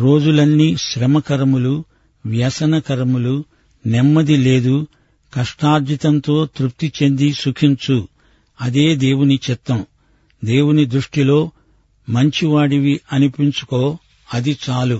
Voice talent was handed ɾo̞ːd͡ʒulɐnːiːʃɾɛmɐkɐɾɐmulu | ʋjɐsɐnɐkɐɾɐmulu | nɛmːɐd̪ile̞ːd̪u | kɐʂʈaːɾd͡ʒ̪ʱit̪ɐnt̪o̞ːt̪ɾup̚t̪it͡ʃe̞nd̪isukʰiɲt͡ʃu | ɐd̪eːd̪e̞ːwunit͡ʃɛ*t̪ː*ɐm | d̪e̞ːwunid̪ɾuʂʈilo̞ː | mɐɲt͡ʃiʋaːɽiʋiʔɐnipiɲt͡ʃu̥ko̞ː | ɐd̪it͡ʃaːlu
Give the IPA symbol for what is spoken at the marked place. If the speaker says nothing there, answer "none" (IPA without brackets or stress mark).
t̪ː